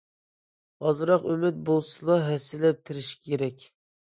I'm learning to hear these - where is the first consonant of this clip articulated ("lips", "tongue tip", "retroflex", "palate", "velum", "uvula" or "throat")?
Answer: tongue tip